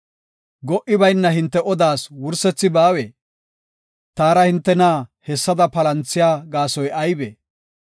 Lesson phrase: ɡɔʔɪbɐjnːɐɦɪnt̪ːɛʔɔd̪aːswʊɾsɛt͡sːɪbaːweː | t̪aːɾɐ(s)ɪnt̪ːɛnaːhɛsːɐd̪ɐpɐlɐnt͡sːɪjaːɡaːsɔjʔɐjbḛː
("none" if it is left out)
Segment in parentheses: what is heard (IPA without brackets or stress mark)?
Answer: h